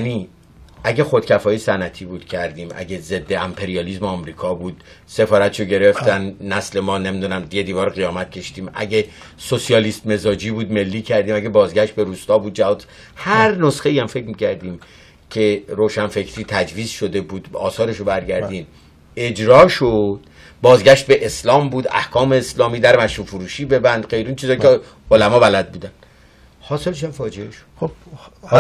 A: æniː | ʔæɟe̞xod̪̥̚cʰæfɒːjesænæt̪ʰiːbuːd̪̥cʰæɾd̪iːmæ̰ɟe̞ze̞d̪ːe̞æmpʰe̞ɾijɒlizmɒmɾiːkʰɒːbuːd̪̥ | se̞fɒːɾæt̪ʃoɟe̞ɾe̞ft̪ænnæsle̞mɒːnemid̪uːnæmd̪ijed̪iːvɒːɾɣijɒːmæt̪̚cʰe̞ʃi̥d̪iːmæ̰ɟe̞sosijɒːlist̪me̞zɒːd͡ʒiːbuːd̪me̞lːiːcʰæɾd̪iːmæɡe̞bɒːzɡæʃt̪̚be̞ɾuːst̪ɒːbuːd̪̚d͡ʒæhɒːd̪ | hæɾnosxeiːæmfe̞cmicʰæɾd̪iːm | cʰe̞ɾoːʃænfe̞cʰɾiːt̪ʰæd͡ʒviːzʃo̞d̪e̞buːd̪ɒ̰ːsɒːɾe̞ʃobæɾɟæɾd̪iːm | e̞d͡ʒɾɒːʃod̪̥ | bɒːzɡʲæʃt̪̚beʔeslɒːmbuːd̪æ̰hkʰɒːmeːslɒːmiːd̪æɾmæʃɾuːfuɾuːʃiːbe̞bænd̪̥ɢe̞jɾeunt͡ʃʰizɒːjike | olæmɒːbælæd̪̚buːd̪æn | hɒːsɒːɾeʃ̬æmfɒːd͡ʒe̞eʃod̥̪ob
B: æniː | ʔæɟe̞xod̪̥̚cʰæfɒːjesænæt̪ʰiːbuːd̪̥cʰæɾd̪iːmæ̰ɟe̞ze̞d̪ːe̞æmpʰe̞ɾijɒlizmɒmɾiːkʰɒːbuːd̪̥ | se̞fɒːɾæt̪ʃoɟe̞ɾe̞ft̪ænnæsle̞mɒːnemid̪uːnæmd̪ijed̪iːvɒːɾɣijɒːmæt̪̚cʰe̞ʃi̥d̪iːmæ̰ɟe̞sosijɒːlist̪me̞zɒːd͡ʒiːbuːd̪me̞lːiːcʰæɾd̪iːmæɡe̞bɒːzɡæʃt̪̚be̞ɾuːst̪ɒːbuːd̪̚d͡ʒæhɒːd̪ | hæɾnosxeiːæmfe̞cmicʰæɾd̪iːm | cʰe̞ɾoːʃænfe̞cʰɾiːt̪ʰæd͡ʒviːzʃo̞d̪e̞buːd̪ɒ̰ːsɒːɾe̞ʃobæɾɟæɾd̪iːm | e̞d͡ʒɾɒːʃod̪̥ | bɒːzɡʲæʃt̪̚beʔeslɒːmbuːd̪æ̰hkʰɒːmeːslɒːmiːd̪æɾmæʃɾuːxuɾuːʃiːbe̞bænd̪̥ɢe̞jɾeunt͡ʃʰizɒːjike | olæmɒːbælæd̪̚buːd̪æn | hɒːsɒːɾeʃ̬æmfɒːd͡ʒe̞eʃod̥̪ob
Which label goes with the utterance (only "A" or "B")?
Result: A